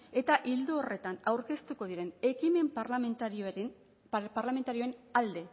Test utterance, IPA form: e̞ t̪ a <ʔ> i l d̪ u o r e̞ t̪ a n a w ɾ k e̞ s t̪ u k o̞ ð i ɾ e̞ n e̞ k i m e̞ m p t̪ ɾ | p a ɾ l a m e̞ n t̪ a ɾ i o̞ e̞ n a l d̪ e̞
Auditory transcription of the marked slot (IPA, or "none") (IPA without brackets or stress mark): ʔ